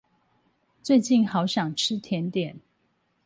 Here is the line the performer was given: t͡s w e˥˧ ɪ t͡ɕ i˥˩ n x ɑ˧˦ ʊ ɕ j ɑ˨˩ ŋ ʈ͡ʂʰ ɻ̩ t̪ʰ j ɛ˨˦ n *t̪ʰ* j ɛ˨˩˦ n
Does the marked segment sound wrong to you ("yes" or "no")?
yes